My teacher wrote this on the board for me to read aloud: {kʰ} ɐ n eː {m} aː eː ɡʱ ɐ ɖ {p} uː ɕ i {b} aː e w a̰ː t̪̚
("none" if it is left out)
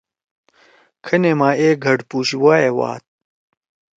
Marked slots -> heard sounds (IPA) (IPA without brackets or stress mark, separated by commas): kʰ, m, p, w